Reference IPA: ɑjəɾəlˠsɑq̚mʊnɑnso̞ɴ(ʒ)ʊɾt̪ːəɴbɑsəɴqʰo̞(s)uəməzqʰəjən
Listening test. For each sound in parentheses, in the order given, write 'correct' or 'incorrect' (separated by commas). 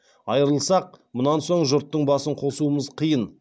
correct, correct